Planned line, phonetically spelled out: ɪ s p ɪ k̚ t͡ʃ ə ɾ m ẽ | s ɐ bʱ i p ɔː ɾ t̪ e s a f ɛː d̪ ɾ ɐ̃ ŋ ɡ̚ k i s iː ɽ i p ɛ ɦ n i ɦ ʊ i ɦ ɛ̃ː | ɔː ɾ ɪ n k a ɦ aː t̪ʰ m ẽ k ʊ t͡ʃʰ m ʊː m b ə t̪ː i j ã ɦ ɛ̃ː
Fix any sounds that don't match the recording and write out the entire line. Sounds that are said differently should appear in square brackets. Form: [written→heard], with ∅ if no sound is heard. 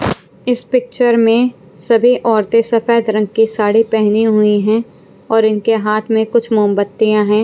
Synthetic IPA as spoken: ɪ s p ɪ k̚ t͡ʃ ə ɾ m ẽ | s ɐ bʱ i [p→ʔ] ɔː ɾ t̪ e s [a→ɐ] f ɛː d̪ ɾ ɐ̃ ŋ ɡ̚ k i s [iː→aː] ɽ i p ɛ ɦ n i ɦ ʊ i ɦ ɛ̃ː | ɔː ɾ ɪ n k [a→e] ɦ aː t̪ʰ m ẽ k ʊ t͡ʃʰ m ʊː m b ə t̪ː i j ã ɦ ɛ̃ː